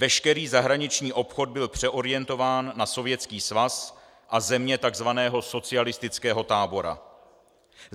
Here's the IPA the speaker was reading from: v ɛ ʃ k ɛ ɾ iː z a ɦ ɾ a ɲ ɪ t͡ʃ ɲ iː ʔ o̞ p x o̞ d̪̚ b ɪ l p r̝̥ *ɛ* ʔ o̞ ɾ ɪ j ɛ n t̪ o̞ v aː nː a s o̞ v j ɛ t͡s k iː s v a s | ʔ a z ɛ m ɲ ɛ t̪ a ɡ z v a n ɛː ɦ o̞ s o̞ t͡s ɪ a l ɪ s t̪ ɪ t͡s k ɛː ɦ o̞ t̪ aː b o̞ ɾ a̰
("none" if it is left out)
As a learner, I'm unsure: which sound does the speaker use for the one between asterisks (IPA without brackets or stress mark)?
ɛ